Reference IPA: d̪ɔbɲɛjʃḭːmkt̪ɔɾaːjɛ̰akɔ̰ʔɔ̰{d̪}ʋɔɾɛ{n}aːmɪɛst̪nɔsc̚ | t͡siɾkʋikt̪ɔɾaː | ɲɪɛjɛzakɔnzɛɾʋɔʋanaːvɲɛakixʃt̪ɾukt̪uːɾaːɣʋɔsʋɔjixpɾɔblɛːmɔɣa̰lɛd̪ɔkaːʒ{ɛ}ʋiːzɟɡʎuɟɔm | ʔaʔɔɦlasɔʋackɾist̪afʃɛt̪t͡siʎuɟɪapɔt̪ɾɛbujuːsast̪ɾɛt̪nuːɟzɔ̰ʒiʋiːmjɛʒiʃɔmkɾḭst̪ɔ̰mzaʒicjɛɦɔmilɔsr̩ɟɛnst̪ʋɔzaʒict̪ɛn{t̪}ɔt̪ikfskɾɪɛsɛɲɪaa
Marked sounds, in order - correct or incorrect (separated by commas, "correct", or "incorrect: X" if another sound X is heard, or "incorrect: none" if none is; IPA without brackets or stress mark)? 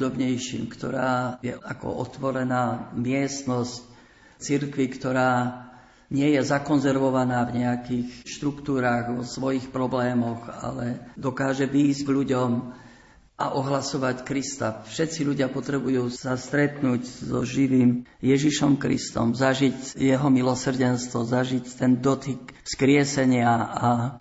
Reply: incorrect: t̪, correct, correct, incorrect: d̪